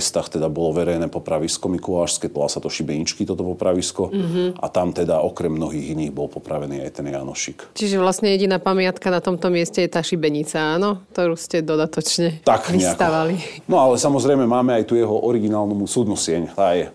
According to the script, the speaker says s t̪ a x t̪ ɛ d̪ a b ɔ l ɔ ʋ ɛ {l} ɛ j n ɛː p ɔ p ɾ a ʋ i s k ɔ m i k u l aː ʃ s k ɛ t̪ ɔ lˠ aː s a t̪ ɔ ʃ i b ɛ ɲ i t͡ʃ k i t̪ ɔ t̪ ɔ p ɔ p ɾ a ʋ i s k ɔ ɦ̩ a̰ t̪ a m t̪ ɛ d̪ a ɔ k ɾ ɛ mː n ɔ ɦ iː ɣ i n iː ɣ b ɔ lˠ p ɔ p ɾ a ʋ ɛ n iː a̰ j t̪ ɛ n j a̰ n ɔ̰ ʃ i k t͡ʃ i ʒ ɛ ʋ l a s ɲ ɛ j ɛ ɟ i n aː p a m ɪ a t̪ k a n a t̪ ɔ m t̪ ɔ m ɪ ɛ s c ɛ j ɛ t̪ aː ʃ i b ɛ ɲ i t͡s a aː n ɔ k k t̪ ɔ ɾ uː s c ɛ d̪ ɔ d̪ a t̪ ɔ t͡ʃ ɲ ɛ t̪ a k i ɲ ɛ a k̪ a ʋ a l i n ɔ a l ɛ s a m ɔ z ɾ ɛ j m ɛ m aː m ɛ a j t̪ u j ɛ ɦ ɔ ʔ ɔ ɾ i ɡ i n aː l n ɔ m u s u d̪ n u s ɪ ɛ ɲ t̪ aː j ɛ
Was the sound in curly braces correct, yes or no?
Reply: no